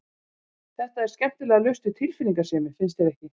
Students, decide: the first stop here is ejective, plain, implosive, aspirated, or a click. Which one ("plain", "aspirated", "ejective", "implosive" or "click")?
plain